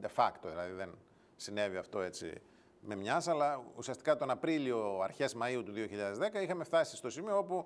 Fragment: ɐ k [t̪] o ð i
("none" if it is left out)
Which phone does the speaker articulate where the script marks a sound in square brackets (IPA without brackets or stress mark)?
t̪